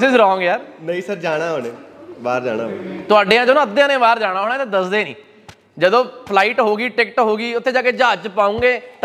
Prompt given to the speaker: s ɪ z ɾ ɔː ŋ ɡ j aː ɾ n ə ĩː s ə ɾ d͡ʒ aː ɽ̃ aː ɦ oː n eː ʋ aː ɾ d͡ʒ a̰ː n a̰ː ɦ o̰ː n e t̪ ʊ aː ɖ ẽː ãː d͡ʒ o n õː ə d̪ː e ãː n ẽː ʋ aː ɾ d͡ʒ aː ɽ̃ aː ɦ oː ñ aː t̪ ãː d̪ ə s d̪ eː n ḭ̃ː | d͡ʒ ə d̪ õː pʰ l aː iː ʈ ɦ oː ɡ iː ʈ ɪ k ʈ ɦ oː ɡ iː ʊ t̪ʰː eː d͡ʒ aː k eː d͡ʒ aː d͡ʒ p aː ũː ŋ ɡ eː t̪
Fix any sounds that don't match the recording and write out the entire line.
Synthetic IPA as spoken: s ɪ z ɾ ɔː ŋ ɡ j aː ɾ n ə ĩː s ə ɾ d͡ʒ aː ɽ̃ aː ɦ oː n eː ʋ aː ɾ d͡ʒ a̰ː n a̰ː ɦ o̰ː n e t̪ ʊ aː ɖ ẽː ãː d͡ʒ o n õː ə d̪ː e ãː n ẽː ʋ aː ɾ d͡ʒ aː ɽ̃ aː ɦ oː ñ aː t̪ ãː d̪ ə s d̪ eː n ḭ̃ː | d͡ʒ ə d̪ õː pʰ l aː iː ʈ ɦ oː ɡ iː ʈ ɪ k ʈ ɦ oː ɡ iː ʊ t̪ʰː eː d͡ʒ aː k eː d͡ʒ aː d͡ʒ p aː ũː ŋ ɡ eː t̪